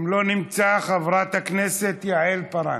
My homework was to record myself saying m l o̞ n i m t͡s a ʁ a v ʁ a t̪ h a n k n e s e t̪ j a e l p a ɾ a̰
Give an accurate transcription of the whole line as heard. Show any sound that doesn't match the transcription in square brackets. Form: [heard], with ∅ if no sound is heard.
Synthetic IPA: m l o̞ n i m t͡s a [χ] a v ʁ a t̪ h a [∅] k n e s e t̪ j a e l p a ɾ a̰